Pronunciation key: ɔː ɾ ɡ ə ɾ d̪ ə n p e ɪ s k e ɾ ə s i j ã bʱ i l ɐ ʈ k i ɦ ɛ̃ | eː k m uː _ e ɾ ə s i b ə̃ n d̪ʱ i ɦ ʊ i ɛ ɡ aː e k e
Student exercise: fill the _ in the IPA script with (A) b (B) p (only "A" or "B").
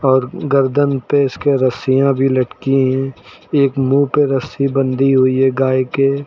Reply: B